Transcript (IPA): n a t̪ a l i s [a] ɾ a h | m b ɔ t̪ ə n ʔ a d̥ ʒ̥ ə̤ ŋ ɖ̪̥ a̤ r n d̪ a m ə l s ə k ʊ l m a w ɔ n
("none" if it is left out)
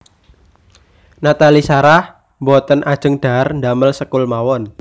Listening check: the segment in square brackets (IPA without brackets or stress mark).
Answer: a